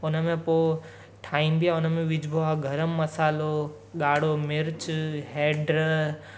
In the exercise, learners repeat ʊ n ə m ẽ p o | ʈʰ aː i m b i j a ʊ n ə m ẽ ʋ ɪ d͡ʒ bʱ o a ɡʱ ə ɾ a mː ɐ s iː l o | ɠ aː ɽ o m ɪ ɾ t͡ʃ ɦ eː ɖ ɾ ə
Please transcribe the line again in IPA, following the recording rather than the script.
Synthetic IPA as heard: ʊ n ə m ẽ p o | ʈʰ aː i m b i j a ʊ n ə m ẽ ʋ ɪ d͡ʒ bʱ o a ɡʱ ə ɾ ə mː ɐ s aː l o | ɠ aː ɽ o m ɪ ɾ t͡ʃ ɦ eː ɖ ɾ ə

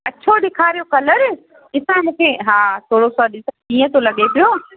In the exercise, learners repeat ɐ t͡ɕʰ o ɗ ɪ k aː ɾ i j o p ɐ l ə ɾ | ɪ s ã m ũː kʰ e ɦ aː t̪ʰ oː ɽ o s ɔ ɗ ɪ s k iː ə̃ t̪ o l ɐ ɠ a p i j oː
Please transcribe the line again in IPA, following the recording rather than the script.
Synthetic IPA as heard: ɐ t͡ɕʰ o ɗ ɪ kʰ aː ɾ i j o k ɐ l ə ɾ | ɪ s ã m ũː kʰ e ɦ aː t̪ʰ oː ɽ o s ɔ ɗ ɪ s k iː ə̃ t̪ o l ɐ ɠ e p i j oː

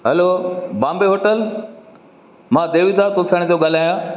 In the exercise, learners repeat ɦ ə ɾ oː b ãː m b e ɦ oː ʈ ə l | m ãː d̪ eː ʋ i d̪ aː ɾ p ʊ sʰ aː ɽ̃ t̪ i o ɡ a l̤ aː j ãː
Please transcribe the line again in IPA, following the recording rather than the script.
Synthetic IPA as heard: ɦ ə l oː b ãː m b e ɦ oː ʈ ə l | m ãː d̪ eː ʋ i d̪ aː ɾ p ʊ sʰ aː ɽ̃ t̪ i o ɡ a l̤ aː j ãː

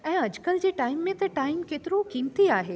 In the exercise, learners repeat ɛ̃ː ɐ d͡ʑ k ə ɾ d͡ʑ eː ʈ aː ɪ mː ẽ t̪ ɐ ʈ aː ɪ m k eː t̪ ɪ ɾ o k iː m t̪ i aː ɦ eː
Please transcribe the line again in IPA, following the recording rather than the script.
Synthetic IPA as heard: ɛ̃ː ɐ d͡ʑ k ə l d͡ʑ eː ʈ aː ɪ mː ẽ t̪ ɐ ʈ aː ɪ m k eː t̪ ɪ ɾ o k iː m t̪ i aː ɦ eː

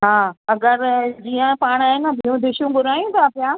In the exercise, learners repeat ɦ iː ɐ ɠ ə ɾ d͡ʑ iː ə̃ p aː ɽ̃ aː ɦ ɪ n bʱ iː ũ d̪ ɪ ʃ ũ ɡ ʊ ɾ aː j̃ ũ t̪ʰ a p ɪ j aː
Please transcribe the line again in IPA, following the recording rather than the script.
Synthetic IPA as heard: ɦ aː ɐ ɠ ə ɾ d͡ʑ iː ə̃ p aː ɽ̃ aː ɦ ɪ n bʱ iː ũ d̪ ɪ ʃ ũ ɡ ʊ ɾ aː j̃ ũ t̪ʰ a p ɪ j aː

